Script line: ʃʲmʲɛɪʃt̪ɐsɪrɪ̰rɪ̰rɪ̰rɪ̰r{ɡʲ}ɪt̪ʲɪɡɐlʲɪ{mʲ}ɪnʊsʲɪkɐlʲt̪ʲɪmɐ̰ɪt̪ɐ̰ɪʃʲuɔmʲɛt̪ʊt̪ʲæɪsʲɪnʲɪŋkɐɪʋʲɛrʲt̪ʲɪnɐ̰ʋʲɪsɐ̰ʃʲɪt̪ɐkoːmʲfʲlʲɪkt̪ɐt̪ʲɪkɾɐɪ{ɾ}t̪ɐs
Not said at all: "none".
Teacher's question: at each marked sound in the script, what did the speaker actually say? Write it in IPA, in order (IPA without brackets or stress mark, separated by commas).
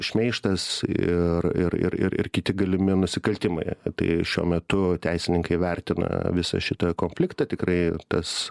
kʲ, mʲ, none